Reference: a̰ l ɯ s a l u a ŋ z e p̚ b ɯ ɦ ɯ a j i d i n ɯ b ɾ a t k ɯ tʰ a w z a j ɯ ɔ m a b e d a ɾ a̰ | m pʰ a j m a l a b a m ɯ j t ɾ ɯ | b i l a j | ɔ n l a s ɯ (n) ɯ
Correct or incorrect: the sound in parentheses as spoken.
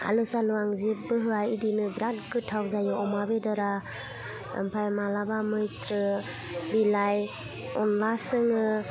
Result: incorrect: ŋ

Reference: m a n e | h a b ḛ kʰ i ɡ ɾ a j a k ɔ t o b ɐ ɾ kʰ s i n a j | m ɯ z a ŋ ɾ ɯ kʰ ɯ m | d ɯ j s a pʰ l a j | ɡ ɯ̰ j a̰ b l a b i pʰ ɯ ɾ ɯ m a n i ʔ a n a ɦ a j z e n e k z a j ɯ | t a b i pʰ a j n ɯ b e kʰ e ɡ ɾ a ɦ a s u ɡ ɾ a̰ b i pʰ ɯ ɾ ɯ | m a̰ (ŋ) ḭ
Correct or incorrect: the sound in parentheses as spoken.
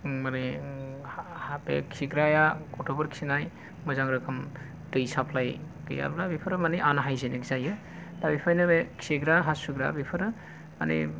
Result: incorrect: n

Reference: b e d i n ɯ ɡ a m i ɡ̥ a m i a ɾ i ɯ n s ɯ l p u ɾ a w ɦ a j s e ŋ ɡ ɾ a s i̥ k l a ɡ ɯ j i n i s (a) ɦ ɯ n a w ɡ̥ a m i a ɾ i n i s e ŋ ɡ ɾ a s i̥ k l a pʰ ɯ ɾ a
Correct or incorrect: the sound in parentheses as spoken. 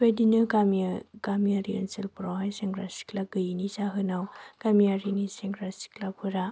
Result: correct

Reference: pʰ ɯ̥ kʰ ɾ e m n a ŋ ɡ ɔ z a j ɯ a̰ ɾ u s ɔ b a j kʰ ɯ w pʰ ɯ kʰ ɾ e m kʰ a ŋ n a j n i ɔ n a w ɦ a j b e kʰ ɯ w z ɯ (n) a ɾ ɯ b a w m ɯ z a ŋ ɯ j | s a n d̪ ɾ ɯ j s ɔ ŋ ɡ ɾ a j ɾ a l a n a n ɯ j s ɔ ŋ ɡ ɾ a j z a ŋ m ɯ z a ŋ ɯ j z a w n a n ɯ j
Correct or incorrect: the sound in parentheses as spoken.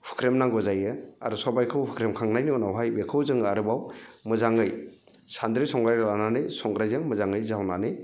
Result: incorrect: ŋ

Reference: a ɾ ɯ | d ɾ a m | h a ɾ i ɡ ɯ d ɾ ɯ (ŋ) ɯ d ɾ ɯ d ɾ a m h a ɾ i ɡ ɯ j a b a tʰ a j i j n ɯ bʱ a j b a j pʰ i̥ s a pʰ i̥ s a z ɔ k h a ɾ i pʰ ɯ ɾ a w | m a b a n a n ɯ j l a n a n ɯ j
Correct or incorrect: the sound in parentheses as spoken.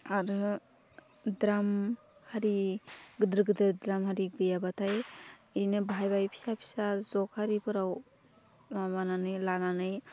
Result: incorrect: ɡ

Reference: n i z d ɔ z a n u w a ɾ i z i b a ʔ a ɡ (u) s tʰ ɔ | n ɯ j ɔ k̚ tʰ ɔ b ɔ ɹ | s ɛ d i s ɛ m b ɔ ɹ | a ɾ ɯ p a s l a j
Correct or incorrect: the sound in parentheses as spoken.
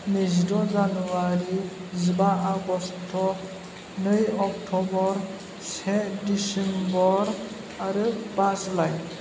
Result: incorrect: ɔ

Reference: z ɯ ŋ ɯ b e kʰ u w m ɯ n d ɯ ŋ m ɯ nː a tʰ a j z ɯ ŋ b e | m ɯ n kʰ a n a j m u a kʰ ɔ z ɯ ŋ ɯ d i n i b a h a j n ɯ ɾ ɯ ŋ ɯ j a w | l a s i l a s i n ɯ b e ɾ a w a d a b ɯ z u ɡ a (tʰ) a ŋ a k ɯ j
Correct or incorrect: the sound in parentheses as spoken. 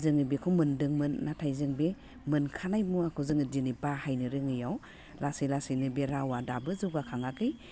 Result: incorrect: kʰ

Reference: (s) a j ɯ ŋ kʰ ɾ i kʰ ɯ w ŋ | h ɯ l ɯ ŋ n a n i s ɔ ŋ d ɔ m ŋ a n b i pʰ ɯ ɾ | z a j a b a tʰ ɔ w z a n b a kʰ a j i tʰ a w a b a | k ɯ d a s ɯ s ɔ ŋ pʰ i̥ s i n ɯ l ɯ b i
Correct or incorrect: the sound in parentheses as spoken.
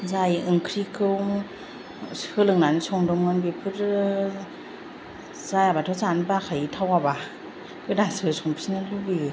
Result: incorrect: z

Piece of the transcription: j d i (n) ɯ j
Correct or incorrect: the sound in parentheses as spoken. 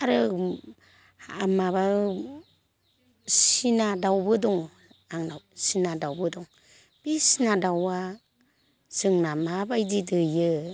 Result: incorrect: d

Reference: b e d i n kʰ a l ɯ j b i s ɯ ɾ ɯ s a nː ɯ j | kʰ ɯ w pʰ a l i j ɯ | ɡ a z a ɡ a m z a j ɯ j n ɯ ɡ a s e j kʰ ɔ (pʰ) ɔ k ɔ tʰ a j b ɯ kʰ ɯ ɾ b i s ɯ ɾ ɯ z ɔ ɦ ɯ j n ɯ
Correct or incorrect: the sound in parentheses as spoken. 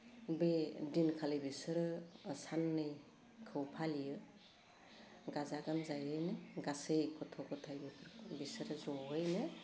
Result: incorrect: tʰ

